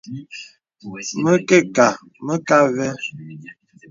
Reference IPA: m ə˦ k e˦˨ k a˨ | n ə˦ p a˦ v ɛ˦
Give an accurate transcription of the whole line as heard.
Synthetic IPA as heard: m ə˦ k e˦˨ k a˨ | m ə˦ k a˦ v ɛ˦